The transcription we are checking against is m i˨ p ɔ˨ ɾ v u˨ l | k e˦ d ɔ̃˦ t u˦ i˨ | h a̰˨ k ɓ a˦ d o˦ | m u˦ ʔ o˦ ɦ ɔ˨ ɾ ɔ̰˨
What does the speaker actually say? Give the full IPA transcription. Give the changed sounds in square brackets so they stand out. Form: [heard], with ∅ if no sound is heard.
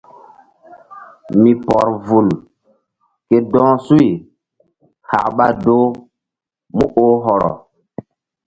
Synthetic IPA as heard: m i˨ p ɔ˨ ɾ v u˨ l | k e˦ d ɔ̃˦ [s] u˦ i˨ | h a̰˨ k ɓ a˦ d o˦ | m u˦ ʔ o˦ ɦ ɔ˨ ɾ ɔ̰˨